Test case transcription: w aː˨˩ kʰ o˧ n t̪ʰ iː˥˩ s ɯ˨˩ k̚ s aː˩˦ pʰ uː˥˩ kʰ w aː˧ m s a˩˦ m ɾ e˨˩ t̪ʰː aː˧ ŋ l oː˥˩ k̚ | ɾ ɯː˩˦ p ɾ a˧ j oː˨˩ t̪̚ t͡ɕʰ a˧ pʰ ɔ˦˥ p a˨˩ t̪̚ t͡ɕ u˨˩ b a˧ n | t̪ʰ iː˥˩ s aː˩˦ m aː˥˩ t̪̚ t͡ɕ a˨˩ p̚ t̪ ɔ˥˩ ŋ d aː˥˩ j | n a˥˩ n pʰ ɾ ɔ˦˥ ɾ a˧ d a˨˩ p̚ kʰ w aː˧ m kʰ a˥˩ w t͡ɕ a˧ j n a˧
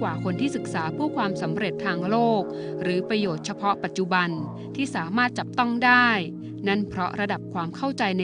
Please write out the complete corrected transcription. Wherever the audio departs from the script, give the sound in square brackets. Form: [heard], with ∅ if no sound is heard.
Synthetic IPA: w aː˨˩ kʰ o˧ n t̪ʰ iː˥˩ s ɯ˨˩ k̚ s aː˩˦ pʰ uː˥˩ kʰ w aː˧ m s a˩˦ m ɾ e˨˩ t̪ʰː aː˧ ŋ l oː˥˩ k̚ | ɾ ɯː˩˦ p ɾ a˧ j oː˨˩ t̪̚ t͡ɕʰ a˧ pʰ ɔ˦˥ p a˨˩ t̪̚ t͡ɕ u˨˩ b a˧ n | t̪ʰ iː˥˩ s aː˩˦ m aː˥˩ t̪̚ t͡ɕ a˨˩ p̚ t̪ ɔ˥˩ ŋ d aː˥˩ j | n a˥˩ n pʰ ɾ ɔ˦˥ ɾ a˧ d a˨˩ p̚ kʰ w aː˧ m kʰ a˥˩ w t͡ɕ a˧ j n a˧